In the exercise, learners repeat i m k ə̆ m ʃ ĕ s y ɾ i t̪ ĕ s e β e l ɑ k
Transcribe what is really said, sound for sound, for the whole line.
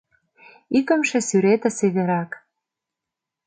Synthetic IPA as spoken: i k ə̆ m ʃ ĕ s y ɾ e t̪ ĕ s e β e ɾ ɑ k